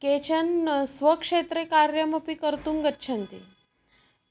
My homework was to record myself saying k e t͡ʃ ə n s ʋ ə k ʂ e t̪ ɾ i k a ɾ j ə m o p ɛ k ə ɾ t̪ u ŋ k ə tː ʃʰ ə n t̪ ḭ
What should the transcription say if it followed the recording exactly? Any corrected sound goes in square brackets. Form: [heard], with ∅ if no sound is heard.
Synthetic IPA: k e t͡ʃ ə n s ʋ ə k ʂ e t̪ ɾ [e] k a ɾ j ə m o p [i] k ə ɾ t̪ u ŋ [ɡ] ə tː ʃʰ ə n t̪ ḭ